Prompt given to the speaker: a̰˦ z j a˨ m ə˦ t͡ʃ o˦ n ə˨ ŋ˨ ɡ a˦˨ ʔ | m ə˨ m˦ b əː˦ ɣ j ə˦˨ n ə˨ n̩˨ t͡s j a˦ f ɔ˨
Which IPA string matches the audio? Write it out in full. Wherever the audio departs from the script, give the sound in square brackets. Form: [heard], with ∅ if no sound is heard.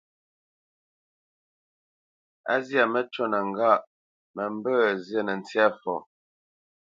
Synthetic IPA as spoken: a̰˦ z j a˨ m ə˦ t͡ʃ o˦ n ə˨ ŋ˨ ɡ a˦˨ ʔ | m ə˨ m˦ b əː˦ [z] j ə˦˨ n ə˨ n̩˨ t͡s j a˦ f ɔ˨